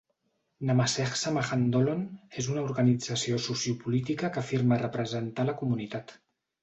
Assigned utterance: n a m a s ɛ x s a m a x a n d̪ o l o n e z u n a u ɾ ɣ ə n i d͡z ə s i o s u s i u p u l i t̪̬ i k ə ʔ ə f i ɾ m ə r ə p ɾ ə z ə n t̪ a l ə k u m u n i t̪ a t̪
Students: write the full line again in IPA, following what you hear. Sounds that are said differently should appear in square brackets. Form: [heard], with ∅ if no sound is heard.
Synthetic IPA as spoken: n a m a s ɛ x s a m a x a n d̪ o l o n e z u n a u ɾ ɣ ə n i d͡z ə s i o s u s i u p u l i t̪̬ i k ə [k] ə f i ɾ m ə r ə p ɾ ə z ə n t̪ a l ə k u m u n i t̪ a t̪